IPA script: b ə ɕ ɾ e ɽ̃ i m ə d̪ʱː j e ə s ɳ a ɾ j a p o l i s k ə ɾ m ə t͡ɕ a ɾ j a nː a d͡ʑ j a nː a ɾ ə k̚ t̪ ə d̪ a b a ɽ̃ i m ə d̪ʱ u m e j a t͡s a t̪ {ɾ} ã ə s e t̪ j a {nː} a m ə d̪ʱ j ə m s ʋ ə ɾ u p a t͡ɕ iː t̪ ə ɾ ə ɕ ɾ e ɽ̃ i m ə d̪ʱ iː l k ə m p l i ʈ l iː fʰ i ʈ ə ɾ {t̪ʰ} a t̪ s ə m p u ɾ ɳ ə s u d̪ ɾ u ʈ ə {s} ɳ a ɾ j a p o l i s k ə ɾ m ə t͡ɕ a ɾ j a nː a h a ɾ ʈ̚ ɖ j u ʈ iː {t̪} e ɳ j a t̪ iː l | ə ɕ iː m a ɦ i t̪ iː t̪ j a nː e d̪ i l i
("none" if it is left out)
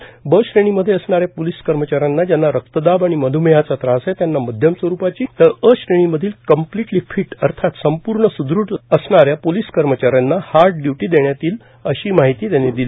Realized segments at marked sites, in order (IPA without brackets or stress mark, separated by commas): ɾ, nː, t̪ʰ, s, d̪